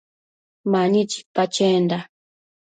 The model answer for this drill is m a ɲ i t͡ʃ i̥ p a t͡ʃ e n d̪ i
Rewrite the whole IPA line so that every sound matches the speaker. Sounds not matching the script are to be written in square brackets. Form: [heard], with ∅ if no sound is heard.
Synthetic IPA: m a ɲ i t͡ʃ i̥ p a t͡ʃ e n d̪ [a]